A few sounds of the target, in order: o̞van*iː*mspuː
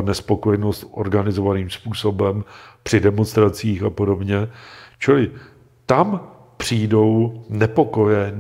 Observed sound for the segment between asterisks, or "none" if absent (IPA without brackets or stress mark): iː